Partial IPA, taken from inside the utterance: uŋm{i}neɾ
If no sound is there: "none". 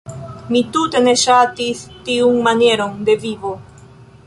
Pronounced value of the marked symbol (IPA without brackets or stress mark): a